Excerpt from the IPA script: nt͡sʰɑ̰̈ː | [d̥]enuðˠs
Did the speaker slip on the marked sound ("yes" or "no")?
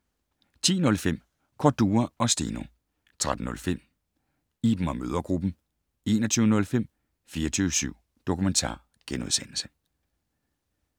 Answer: yes